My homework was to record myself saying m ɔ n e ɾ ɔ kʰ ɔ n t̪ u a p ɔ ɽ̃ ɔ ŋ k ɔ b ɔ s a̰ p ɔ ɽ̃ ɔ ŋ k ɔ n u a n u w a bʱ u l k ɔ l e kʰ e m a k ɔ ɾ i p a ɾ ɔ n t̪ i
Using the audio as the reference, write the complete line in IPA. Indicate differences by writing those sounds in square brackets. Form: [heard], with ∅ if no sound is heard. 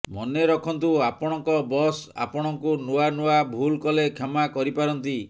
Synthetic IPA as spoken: m ɔ n e ɾ ɔ kʰ ɔ n t̪ u a p ɔ ɽ̃ ɔ ŋ k ɔ b ɔ s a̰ p ɔ ɽ̃ ɔ ŋ k [u] n u a n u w a bʱ u l k ɔ l e kʰ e m a k ɔ ɾ i p a ɾ ɔ n t̪ i